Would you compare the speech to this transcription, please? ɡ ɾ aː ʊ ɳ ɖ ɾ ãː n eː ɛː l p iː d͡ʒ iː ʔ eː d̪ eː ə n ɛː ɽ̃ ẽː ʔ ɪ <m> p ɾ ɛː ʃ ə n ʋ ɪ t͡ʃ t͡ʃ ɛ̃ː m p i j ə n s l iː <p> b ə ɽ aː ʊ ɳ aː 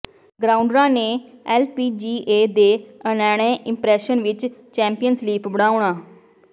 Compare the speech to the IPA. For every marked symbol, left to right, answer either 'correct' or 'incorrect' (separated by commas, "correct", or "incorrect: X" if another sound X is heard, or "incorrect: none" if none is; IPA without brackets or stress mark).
correct, correct